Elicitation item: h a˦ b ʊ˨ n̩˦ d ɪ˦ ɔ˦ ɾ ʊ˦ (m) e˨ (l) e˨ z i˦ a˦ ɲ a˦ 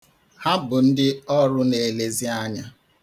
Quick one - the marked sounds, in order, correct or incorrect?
incorrect: n, correct

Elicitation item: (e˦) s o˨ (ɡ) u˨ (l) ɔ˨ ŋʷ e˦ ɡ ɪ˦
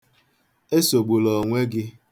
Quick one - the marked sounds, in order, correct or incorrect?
correct, incorrect: ɡ͡b, correct

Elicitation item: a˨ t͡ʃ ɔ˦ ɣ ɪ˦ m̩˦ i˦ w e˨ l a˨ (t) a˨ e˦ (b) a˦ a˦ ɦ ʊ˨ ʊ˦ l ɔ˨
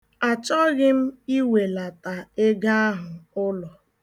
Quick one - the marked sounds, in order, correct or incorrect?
correct, incorrect: ɡ

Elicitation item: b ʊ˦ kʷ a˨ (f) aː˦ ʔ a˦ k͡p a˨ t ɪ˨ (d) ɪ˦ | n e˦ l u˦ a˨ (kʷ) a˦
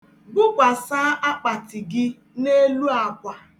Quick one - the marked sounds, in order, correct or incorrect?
incorrect: s, incorrect: ɡ, correct

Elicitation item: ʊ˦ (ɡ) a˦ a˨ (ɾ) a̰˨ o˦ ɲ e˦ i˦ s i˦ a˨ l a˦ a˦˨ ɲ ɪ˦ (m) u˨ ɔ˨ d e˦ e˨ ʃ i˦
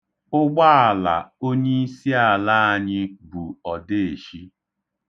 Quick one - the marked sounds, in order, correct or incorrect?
incorrect: ɡ͡b, incorrect: l, incorrect: b

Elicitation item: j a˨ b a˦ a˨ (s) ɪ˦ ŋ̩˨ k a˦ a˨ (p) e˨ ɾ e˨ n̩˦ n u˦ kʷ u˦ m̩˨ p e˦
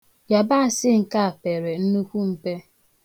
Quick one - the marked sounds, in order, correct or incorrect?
correct, correct

